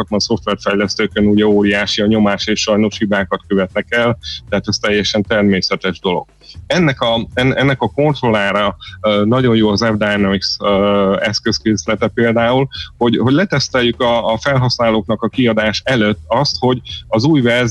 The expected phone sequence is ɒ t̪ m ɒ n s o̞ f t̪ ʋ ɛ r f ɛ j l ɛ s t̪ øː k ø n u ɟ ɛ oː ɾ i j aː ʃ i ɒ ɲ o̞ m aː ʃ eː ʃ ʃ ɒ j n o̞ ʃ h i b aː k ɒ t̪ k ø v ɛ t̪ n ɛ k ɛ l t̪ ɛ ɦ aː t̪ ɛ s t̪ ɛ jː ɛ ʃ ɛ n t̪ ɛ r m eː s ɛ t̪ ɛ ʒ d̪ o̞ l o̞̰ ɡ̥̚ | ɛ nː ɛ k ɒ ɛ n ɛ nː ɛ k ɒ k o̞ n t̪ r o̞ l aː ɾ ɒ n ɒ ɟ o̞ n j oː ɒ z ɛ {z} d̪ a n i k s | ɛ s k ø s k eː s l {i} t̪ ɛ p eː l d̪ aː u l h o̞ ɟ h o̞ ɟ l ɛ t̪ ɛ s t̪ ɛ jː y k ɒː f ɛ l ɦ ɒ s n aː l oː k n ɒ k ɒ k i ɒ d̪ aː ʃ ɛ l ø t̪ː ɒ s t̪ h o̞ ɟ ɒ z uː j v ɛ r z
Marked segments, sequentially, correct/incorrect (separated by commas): incorrect, incorrect